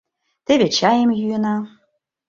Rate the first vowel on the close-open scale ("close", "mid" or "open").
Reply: mid